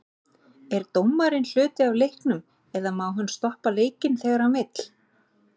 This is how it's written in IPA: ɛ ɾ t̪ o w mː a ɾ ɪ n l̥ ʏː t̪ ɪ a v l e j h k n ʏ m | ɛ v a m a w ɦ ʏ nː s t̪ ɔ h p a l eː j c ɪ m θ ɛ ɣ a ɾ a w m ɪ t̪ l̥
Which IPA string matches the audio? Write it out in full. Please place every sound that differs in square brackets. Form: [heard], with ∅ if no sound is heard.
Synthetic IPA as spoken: ɛ ɾ t̪ o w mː a ɾ ɪ n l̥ ʏː t̪ ɪ a v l e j h k n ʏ m | ɛ [ð] a m a w ɦ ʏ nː s t̪ ɔ h p a l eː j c ɪ [n] θ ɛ ɣ a ɾ a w m ɪ t̪ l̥